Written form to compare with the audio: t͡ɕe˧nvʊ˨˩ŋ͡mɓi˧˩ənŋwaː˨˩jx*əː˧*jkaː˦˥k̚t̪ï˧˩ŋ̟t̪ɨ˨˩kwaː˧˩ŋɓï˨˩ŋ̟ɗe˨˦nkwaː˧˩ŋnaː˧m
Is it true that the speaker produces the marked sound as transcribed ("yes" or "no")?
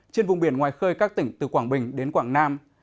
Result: yes